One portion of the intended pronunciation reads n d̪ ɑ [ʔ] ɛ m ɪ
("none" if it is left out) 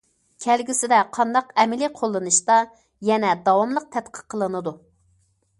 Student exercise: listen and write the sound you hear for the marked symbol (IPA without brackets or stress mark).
q